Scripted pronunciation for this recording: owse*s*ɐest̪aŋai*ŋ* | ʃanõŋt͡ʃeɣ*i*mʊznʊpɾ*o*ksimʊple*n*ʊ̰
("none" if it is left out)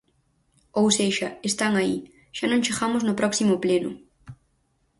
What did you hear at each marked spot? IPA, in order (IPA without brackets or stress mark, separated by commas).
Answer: ʃ, none, a, ɔ, n